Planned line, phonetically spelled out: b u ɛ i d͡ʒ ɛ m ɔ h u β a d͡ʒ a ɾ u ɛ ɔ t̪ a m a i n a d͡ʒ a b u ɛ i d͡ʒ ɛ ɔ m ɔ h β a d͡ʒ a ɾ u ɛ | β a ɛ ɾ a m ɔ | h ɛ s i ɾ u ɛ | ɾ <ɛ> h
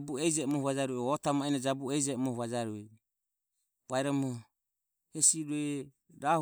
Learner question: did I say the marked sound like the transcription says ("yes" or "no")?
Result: no